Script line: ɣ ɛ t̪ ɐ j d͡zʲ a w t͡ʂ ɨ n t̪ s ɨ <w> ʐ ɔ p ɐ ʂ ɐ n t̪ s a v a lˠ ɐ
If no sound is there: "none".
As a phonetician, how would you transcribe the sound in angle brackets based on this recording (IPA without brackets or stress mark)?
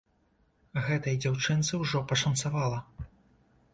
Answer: w